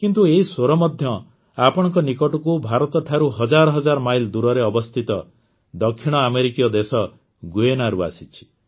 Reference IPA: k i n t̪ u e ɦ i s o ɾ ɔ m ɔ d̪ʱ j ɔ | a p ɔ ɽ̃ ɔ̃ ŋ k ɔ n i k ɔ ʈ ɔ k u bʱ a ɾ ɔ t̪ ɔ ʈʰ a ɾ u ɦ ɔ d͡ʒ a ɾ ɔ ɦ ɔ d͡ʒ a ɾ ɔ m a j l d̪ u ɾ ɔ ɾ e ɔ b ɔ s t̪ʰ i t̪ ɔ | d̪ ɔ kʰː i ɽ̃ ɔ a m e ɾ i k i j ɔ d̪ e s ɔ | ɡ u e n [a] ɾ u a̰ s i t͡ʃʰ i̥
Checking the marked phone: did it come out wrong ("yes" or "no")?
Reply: no